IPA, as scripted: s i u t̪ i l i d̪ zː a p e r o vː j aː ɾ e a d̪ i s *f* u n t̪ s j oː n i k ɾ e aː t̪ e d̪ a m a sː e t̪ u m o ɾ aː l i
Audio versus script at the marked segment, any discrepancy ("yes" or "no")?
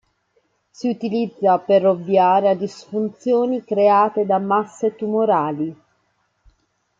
no